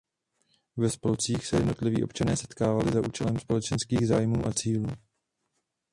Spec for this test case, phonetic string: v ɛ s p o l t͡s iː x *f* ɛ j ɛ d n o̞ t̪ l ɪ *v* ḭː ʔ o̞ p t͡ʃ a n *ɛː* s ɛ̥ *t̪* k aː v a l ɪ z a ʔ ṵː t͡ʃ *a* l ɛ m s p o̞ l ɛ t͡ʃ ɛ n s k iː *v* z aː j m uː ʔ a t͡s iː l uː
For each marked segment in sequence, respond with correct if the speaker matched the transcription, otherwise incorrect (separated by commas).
incorrect, correct, correct, correct, incorrect, incorrect